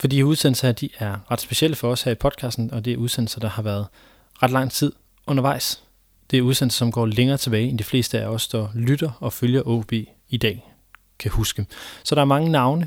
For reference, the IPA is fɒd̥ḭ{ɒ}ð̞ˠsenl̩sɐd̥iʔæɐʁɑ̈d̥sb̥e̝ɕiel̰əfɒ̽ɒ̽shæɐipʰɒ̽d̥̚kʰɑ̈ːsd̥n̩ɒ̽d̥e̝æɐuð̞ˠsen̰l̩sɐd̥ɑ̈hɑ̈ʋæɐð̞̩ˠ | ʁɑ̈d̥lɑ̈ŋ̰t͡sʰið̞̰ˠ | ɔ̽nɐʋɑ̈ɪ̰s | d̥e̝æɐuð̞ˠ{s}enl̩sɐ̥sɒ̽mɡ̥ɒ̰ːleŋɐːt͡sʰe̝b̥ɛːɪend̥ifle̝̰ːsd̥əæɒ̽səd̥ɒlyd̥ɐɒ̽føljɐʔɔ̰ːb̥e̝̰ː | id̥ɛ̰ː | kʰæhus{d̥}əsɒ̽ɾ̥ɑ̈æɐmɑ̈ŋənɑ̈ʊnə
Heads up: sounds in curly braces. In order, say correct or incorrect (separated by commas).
incorrect, correct, incorrect